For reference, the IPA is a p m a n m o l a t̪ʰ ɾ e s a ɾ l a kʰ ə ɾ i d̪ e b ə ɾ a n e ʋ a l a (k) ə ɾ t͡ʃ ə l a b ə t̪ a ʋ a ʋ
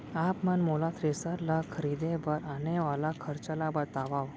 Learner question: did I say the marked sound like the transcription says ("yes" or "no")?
no